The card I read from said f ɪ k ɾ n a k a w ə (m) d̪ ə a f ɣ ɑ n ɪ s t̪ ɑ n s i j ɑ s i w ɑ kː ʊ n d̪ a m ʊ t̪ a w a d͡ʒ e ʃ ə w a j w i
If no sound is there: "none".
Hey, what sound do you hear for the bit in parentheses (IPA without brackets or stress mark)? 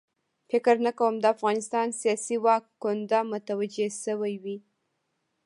m